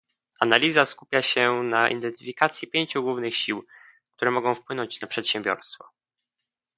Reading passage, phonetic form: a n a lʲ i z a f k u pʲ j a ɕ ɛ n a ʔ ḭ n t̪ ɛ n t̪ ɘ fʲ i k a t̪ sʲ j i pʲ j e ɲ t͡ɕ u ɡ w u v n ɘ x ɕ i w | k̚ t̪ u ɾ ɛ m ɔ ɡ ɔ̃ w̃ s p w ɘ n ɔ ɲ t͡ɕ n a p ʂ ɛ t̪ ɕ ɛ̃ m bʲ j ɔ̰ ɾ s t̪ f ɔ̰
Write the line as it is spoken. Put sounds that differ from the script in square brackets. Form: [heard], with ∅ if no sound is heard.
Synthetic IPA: a n a lʲ i z a [s] k u pʲ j a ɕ ɛ n a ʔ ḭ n [d̪] ɛ n t̪ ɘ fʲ i k a t̪ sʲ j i pʲ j e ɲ t͡ɕ u ɡ w u v n ɘ x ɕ i w | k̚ t̪ u ɾ ɛ m ɔ ɡ ɔ̃ w̃ [f] p w ɘ n ɔ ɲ t͡ɕ n a p ʂ ɛ t̪ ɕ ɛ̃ m bʲ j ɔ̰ ɾ s t̪ f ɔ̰